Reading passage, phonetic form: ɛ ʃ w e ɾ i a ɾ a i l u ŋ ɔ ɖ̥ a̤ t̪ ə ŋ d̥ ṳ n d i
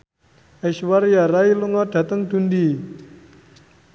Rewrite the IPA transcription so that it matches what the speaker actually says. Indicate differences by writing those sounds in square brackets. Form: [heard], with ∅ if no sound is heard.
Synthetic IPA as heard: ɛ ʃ w [a] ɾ [j] a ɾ a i l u ŋ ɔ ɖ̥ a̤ t̪ ə ŋ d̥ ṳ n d i